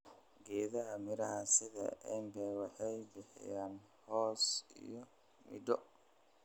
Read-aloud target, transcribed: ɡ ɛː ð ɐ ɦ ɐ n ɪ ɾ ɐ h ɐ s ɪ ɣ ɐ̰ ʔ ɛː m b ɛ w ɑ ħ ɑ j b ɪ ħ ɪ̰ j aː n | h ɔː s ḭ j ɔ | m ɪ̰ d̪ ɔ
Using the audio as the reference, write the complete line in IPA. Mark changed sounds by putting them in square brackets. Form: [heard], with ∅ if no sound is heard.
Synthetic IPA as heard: ɡ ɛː ð ɐ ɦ ɐ [m] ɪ ɾ ɐ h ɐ s ɪ [ð] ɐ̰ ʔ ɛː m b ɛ w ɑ ħ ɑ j b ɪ ħ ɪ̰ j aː n | h ɔː s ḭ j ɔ | m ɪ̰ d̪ ɔ